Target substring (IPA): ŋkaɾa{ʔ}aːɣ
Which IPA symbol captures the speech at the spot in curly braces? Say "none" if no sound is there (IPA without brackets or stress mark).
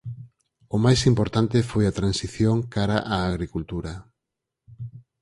ʔ